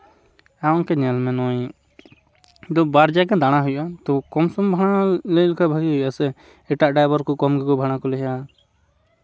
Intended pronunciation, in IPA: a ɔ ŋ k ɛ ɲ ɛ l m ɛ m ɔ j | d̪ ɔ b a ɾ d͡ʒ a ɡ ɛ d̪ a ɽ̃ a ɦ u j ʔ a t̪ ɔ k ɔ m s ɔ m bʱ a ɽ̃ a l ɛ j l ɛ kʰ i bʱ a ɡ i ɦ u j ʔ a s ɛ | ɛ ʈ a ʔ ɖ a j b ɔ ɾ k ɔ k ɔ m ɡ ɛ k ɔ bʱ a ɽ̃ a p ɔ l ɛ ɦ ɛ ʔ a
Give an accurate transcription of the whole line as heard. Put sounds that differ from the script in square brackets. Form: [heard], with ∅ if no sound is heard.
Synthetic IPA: a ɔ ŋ k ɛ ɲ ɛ l m ɛ [n] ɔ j | d̪ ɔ b a ɾ d͡ʒ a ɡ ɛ d̪ a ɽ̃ a ɦ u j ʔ a t̪ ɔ k ɔ m s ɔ m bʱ a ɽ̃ a l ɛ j l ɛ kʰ [a] bʱ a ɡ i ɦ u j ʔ a s ɛ | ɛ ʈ a ʔ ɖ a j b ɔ ɾ k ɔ k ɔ m ɡ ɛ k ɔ bʱ a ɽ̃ a [k] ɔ l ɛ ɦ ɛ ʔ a